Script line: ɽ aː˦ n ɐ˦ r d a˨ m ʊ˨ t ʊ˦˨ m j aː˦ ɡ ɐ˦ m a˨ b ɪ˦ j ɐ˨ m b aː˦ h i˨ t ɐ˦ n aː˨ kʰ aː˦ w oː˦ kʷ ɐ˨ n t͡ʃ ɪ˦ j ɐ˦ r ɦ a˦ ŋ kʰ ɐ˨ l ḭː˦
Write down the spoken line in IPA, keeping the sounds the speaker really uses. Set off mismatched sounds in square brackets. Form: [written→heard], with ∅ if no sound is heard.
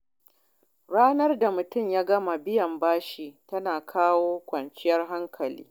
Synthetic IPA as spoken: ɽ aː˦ n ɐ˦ r d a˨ m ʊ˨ t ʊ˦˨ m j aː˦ ɡ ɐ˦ m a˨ b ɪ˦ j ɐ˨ m b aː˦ [h→ʃ] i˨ t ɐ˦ n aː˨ kʰ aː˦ w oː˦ kʷ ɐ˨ n t͡ʃ ɪ˦ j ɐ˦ r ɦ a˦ ŋ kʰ ɐ˨ l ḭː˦